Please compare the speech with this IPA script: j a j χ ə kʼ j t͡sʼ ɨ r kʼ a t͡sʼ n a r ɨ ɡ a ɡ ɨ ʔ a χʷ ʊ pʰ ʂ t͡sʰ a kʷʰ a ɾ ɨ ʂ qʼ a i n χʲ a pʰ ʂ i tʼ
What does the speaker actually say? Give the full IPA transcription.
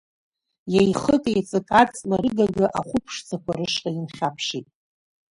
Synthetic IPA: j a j χ ə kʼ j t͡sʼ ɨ kʼ a t͡sʼ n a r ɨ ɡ a ɡ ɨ ʔ a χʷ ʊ pʰ ʂ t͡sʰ a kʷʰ a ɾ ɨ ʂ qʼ a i n χʲ a pʰ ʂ i tʼ